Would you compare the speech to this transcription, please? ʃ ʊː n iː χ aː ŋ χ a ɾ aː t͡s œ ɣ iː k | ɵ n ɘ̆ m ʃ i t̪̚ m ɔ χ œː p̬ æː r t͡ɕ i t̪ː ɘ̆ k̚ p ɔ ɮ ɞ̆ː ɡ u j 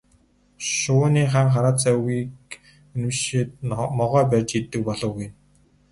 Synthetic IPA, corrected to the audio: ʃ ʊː n iː χ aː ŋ χ a ɾ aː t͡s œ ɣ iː k | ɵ n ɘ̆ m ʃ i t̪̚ m ɔ ʁ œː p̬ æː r t͡ɕ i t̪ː ɘ̆ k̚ p ɔ ɮ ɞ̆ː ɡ u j